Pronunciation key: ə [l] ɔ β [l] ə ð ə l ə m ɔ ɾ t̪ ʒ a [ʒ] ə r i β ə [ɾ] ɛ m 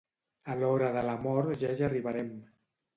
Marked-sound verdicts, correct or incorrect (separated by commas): correct, incorrect, correct, correct